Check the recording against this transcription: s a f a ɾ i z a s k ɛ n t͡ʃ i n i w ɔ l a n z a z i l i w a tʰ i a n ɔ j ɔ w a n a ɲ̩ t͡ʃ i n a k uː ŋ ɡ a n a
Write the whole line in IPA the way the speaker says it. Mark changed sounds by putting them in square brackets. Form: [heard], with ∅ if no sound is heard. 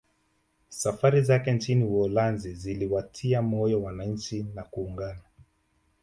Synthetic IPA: s a f a ɾ i z a [∅] k ɛ n t͡ʃ i n i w ɔ l a n z [i] z i l i w a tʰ i a [m] ɔ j ɔ w a n a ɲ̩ t͡ʃ i n a k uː ŋ ɡ a n a